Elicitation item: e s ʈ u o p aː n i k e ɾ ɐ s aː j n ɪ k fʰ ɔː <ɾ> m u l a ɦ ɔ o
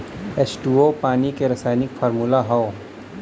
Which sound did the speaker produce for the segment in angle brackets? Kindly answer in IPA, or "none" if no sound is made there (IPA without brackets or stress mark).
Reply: ɾ